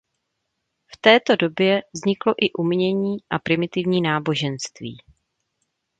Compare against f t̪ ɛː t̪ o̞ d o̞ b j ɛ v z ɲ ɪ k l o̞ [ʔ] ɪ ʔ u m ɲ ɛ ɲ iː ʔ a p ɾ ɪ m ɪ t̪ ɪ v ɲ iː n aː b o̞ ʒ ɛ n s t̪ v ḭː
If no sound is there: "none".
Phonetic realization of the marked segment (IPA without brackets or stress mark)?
ʔ